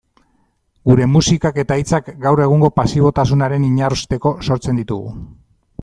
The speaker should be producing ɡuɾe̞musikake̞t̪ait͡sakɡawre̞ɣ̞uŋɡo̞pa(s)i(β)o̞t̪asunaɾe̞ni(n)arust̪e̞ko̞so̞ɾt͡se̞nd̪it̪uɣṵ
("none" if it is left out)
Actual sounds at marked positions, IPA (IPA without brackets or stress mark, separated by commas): s, β, ɲ